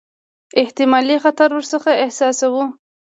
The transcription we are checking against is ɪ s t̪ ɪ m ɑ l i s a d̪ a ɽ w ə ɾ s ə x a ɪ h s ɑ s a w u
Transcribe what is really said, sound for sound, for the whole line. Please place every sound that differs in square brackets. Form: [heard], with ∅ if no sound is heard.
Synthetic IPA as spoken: ɪ [h] t̪ ɪ m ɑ l i [x] a [t̪] a [ɾ] w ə ɾ s ə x a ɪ h s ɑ s a w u

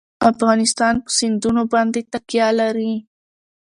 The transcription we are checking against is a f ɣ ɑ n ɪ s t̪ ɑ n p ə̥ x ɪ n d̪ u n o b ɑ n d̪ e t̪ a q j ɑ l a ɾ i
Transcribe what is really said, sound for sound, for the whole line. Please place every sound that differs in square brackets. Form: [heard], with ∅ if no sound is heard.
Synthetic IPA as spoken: a f ɣ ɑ n ɪ s t̪ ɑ n p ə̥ [s] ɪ n d̪ u n o b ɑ n d̪ e t̪ a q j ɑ l a ɾ i

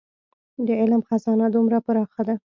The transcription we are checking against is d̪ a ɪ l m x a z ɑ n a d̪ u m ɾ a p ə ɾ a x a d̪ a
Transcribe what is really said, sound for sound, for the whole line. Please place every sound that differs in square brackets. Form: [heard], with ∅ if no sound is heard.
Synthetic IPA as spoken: d̪ [ə] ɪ l m x a z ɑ n a d̪ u m ɾ a p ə ɾ [ɑ] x a d̪ a

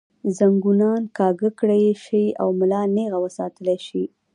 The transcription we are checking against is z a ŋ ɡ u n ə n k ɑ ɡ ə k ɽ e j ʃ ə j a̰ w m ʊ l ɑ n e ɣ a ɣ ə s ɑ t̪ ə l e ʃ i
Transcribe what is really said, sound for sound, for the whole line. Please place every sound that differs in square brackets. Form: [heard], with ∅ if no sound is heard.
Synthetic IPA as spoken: z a ŋ ɡ u n [ɑ] n k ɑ ɡ ə k ɽ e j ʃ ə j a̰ w m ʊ l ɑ n e ɣ a [w] ə s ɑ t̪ ə l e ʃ i

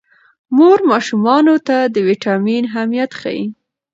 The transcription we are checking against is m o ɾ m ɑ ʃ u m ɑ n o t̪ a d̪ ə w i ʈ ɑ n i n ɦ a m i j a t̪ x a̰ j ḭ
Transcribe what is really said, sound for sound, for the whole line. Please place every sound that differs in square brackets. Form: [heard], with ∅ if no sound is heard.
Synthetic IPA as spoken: m o ɾ m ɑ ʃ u m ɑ n o t̪ a d̪ ə w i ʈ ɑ [m] i n ɦ a m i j a t̪ x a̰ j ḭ

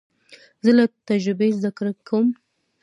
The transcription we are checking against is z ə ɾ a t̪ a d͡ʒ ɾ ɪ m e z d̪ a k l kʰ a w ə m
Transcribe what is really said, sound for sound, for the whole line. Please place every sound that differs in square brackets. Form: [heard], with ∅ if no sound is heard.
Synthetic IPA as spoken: z ə [l] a t̪ a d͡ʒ ɾ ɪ [b] e z d̪ a k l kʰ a w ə m

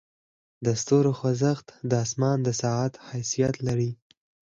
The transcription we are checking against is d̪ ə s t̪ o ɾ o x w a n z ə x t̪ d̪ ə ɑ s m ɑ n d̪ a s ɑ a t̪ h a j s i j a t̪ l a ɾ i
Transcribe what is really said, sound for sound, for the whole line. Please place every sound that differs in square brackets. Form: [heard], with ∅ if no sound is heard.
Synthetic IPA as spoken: d̪ ə s t̪ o ɾ o x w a [∅] z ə x t̪ d̪ ə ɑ s m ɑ n d̪ [ə] s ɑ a t̪ h a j s i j a t̪ l a ɾ i

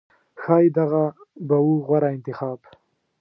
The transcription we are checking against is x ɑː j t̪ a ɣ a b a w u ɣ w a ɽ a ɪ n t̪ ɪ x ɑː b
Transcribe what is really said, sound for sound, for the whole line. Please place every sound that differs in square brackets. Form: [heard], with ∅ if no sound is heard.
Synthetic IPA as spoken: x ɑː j [d̪] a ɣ a b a w u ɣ w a [ɾ] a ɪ n t̪ ɪ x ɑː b

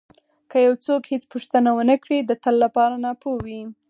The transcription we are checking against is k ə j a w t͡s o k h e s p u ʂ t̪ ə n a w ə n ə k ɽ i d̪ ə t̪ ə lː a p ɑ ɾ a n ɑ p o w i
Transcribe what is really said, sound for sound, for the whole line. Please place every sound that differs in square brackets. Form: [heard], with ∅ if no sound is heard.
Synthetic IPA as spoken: k ə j a w t͡s o k h e [t͡s] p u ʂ t̪ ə n a w ə n ə k ɽ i d̪ ə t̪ ə lː a p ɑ ɾ a n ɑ p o w i

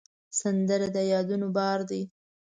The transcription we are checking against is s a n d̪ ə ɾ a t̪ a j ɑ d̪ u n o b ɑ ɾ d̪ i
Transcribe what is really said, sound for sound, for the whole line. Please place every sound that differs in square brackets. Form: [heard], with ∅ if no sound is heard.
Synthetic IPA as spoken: s a n d̪ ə ɾ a [d̪] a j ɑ d̪ u n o b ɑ ɾ d̪ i

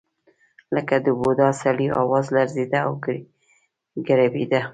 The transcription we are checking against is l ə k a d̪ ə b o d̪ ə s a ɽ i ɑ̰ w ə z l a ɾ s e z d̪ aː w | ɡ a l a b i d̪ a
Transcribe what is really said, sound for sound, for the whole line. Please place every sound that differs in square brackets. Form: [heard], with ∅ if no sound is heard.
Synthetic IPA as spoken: l ə k a d̪ ə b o d̪ [ɑ] s a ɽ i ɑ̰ w [ɑ] z l a ɾ [z] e [∅] d̪ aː w | ɡ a [ɾ] a b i d̪ a

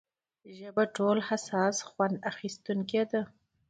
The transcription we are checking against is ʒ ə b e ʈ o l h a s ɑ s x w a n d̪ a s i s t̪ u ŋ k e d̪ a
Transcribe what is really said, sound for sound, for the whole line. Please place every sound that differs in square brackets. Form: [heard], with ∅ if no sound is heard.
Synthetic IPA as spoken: ʒ ə b [a] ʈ o l h a s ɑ s x w a n d̪ a [x] i s t̪ u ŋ k e d̪ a

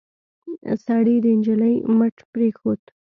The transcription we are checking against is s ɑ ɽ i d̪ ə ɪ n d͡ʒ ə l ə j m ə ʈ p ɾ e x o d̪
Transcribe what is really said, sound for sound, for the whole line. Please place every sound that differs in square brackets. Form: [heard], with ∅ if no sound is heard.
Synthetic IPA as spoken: s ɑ ɽ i d̪ ə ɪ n d͡ʒ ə l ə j m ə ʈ p ɾ e x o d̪

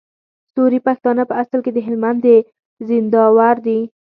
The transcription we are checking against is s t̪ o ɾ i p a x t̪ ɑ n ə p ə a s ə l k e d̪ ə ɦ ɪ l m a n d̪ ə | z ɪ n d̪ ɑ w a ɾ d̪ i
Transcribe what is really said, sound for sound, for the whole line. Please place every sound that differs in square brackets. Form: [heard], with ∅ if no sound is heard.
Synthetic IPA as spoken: s t̪ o ɾ i p a x t̪ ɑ n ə p ə a s ə l k e d̪ ə ɦ ɪ l m a n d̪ ə | z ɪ n d̪ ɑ w a ɾ d̪ i

